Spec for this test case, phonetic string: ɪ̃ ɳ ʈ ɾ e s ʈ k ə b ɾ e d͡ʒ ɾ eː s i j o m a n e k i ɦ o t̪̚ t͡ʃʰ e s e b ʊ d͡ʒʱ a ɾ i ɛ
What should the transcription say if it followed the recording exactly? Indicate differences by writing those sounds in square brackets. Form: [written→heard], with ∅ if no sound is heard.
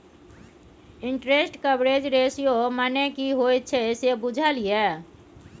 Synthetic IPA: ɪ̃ ɳ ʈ ɾ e s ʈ k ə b ɾ e d͡ʒ ɾ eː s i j o m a n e k i ɦ o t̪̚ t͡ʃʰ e s e b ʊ d͡ʒʱ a [ɾ→l] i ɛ